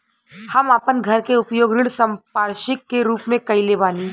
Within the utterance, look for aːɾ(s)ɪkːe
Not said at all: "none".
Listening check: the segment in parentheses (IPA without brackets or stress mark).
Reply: ʃ